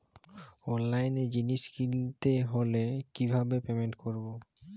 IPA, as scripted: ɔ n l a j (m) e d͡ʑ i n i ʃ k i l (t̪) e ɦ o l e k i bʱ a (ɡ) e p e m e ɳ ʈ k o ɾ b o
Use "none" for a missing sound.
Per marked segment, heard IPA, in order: n, t̪, b

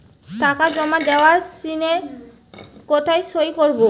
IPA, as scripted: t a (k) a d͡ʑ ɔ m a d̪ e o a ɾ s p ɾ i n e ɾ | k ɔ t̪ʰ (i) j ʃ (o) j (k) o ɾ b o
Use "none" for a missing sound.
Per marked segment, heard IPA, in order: k, a, o, k

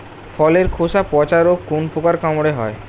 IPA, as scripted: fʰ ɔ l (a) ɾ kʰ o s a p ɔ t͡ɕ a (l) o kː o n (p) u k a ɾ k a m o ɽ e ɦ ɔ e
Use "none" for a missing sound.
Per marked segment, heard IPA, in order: e, ɾ, p

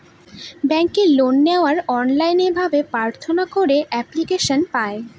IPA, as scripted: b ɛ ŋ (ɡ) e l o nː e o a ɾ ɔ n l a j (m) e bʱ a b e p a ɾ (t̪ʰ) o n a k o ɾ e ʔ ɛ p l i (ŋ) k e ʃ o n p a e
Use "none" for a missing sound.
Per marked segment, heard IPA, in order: k, n, t̪ʰ, none

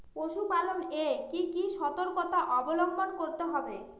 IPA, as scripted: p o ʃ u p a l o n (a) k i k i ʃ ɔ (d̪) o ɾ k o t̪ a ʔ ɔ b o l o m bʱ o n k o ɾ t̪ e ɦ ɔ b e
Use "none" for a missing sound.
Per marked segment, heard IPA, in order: e, t̪

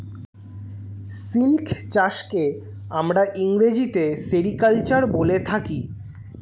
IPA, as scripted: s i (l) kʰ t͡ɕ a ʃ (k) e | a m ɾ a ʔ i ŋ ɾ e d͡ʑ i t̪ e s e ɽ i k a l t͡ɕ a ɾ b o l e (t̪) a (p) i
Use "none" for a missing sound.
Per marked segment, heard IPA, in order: l, k, t̪ʰ, k

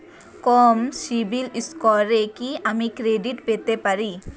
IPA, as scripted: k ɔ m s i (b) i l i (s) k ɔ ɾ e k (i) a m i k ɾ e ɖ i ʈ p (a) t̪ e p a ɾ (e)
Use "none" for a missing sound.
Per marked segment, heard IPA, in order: b, s, i, e, i

